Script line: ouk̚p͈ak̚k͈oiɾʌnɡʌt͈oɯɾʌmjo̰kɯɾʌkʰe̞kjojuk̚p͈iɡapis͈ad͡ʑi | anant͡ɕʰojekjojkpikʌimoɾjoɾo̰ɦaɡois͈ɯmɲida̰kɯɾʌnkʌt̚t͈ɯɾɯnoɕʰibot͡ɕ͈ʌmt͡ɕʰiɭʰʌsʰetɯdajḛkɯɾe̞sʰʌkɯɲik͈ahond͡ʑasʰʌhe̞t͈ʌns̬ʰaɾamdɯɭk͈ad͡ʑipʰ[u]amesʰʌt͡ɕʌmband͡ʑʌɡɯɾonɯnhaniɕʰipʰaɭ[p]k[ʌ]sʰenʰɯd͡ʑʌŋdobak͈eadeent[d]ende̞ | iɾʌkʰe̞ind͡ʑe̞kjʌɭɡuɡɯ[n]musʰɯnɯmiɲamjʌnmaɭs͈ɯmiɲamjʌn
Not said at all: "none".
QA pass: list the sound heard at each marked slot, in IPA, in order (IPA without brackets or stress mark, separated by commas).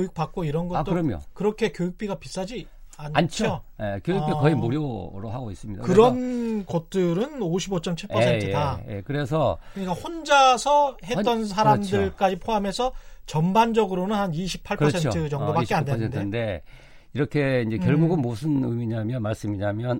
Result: o, p, ʌ, d, n